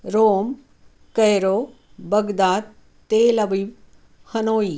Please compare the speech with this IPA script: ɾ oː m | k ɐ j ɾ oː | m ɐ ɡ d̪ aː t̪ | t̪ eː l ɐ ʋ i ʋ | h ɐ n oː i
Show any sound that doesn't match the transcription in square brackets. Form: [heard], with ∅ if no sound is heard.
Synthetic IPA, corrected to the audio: ɾ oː m | k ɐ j ɾ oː | [b] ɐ ɡ d̪ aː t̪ | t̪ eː l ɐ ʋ i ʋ | h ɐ n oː i